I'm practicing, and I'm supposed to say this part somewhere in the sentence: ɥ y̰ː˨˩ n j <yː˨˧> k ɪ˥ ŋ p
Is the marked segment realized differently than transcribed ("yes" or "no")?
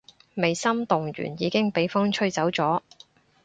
yes